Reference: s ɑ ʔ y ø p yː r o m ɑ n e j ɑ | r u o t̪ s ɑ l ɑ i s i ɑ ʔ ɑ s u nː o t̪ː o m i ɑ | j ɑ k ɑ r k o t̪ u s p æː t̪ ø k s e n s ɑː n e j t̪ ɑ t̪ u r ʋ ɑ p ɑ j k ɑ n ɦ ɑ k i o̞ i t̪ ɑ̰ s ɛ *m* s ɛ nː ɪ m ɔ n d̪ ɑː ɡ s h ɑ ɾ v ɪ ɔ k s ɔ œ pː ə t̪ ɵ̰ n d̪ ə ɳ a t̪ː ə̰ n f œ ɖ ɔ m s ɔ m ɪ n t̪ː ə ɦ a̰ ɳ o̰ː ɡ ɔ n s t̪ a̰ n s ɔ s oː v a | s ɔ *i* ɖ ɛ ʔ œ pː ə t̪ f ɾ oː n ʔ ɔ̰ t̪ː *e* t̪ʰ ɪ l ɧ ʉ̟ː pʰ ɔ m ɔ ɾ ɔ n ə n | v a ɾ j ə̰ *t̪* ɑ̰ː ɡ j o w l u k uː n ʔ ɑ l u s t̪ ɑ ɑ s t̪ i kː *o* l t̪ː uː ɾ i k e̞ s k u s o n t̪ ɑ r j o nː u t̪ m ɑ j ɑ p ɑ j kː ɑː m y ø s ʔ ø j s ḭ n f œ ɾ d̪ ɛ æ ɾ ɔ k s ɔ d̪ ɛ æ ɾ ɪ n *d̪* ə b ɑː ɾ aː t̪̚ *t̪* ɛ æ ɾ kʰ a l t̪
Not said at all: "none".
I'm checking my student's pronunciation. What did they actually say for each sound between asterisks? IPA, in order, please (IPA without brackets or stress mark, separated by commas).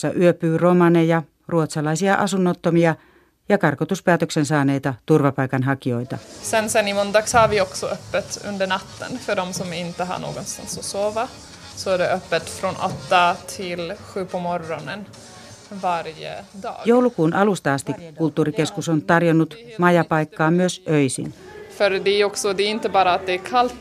n, æ, a, d̪, u, t̪, d̪